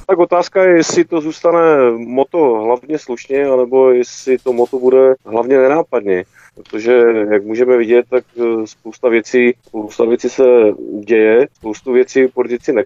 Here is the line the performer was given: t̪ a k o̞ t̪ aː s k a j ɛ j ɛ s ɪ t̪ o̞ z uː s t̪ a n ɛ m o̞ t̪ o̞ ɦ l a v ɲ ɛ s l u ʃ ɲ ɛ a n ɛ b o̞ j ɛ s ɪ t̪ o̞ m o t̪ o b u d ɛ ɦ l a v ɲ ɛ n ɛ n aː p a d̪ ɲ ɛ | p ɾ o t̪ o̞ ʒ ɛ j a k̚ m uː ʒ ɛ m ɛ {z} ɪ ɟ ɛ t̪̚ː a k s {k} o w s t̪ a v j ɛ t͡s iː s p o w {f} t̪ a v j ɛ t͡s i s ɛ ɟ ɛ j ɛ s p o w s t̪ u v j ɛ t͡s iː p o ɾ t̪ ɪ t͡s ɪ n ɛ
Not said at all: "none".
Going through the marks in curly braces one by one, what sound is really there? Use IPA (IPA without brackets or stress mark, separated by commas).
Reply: v, p, s